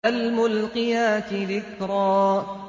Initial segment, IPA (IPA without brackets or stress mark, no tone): a